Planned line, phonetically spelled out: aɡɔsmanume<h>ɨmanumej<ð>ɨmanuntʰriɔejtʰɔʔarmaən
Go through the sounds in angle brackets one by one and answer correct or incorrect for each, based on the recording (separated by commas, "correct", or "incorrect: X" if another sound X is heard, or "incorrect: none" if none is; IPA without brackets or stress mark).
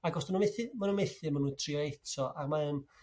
incorrect: θ, incorrect: θ